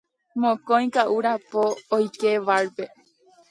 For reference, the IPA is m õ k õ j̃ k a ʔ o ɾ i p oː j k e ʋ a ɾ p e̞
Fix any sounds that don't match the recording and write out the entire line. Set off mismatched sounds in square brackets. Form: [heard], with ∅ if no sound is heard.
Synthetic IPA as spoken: m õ k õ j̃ k a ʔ [u] ɾ [a] p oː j k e ʋ a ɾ p e̞